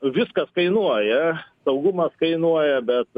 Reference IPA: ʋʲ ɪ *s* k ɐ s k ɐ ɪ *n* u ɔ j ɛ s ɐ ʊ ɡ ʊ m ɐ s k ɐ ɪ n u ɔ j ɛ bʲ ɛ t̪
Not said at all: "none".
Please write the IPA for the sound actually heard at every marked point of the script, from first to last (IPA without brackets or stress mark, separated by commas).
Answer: s, n